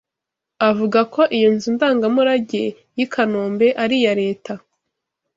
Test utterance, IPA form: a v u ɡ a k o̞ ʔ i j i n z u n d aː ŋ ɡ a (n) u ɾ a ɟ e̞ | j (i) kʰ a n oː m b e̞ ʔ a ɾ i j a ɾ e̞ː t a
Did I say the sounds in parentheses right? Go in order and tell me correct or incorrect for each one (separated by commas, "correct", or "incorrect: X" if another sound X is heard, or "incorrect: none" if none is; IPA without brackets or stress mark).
incorrect: m, correct